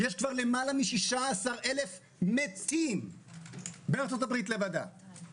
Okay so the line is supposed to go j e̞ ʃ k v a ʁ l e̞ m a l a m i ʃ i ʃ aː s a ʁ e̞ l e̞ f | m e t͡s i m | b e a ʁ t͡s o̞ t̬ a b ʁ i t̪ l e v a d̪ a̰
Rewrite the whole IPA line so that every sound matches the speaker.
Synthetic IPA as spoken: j e̞ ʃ k v a ʁ l e̞ m a l a m i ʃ i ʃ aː s a ʁ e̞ l e̞ f | m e t͡s i m | b e a ʁ t͡s o̞ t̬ a b ʁ i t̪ l e v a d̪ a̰

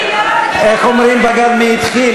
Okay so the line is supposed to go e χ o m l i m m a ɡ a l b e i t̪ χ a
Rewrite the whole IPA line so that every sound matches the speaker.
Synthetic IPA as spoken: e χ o m ɾ i m b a ɡ a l m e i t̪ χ i

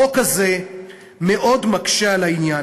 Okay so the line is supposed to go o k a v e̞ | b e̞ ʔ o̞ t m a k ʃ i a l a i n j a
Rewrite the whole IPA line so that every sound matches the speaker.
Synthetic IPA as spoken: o k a z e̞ | m e̞ ʔ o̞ d m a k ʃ e a l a i n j a

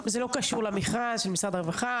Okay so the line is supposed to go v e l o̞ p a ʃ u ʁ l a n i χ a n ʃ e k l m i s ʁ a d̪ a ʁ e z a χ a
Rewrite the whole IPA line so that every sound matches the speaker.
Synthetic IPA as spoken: z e l o̞ k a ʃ u ʁ l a m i χ a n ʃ e l m i s ʁ a d̪ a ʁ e v a χ a

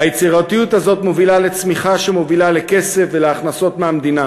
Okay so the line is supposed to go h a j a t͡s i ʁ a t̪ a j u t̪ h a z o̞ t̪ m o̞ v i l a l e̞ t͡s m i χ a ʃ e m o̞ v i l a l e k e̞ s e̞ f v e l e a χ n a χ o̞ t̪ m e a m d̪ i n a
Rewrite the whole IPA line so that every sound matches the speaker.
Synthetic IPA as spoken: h a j e t͡s i ʁ a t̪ i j u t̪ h a z o̞ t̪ m o̞ v i l a l e̞ t͡s m i χ a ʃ e m o̞ v i l a l e k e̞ s e̞ f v e l e a χ n a s o̞ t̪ m e a m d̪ i n a

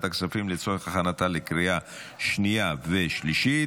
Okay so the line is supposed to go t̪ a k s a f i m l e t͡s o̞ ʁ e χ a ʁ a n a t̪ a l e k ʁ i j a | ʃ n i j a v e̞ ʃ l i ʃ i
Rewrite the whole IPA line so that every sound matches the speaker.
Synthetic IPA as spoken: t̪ a k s a f i m l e t͡s o̞ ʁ e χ a χ a n a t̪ a l e k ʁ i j a | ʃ n i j a v e̞ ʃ l i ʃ i

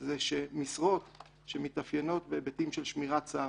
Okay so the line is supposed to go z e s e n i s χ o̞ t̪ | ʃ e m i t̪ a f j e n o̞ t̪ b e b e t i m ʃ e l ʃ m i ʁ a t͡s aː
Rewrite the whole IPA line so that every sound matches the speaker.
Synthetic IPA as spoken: z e ʃ e m i s ʁ o̞ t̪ | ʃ e m i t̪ a f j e n o̞ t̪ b e b e t i m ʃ e l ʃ m i ʁ a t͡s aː

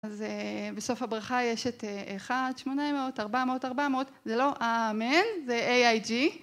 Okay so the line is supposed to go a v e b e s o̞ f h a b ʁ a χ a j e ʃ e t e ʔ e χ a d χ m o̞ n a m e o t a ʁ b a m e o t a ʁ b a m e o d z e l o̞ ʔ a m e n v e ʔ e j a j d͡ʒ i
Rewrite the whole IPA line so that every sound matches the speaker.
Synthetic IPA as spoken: a z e b e s o̞ f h a b ʁ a χ a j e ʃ e t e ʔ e χ a d ʃ m o̞ n a m e o t a ʁ b a m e o t a ʁ b a m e o t z e l o̞ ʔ a m e n z e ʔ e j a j d͡ʒ i

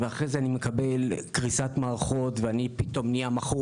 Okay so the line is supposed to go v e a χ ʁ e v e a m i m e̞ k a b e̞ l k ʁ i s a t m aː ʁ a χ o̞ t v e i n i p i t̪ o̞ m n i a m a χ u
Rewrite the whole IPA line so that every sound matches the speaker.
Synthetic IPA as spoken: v e a χ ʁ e z e a n i m e̞ k a b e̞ l k ʁ i s a t m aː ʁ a χ o̞ t v e a n i p i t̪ o̞ m n i a m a χ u

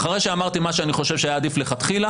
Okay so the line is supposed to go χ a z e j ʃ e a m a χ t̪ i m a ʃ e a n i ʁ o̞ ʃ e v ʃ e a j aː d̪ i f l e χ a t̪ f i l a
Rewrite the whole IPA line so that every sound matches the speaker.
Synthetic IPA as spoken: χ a ʁ e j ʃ e a m a ʁ t̪ i m a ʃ e a n i χ o̞ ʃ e v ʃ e a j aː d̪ i f l e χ a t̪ χ i l a

